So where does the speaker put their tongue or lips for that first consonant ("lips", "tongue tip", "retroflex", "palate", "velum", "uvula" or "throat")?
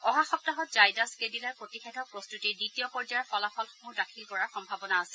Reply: throat